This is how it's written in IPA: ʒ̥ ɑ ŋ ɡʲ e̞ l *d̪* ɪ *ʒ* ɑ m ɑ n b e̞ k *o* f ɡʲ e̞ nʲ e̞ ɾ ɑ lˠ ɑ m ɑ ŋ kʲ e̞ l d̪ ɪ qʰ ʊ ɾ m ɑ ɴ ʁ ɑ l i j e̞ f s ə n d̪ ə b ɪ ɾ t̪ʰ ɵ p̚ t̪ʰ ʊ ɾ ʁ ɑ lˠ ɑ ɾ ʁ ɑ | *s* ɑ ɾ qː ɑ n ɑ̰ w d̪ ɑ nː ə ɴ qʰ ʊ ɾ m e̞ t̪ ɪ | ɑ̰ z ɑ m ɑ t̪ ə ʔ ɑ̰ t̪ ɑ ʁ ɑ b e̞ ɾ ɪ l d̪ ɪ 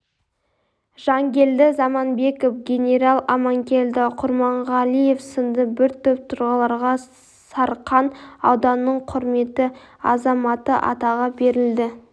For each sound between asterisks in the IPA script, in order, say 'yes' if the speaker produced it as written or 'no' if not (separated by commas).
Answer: yes, no, yes, yes